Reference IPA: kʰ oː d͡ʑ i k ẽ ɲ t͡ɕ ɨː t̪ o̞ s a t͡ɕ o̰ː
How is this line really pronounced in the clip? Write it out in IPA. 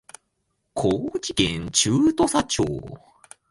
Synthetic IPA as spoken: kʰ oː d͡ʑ i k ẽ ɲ t͡ɕ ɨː t̪ o̞ s a t͡ɕ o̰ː